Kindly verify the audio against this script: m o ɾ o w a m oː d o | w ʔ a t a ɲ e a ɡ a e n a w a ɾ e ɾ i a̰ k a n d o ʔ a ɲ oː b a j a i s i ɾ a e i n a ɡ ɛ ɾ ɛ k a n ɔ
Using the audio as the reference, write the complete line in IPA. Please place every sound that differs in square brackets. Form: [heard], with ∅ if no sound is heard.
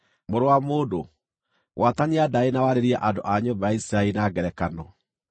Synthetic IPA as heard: m o ɾ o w a m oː d o | w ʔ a t a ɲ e a [d] a e n a w a ɾ e ɾ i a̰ [ʔ] a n d o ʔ a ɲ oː b a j a i s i ɾ a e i n a ɡ ɛ ɾ ɛ k a n ɔ